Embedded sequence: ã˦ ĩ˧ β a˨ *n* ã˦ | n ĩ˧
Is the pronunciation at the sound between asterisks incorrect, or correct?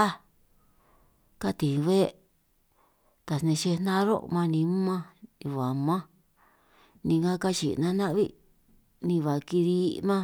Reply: incorrect